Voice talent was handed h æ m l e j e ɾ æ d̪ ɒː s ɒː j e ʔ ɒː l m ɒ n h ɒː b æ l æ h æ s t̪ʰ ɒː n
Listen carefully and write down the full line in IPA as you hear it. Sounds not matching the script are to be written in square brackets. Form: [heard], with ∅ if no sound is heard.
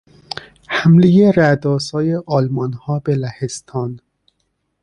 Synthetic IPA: h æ m l e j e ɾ æ d̪ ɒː s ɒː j e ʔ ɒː l m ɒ n h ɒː b [e] l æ h [e] s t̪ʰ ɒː n